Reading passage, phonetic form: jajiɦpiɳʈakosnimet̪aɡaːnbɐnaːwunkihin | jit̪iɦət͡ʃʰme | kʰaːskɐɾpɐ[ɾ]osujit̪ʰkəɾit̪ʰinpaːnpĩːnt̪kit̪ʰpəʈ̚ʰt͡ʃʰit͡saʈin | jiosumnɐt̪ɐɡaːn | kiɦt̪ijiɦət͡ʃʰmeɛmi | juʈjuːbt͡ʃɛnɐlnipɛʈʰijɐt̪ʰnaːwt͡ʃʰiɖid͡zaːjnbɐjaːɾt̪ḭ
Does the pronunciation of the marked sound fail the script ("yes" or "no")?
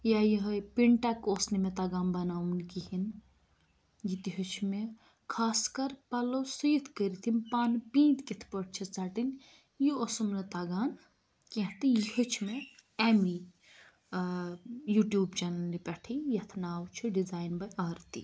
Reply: yes